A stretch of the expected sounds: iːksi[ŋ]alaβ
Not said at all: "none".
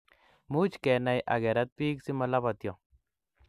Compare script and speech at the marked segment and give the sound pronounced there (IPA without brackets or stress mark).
m